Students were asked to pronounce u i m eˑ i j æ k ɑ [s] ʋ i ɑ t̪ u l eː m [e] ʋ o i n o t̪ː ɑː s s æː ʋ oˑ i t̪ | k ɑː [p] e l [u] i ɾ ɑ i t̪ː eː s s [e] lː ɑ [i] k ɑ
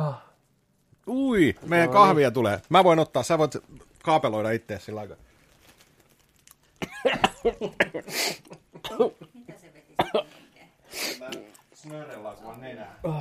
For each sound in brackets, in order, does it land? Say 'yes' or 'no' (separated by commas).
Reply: no, no, yes, no, no, yes